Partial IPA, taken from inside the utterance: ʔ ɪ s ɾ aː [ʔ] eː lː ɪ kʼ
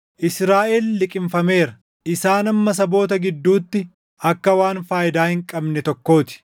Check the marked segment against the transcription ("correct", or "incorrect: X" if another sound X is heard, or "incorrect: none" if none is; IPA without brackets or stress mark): correct